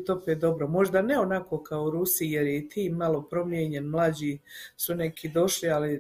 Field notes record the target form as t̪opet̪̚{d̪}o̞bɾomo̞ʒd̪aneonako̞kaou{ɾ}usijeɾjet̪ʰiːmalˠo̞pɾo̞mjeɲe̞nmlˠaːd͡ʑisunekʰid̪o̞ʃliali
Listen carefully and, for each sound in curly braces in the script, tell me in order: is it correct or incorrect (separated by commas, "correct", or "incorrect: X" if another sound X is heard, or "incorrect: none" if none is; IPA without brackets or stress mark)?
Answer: correct, correct